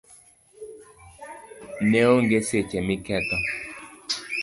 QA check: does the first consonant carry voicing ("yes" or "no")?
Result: yes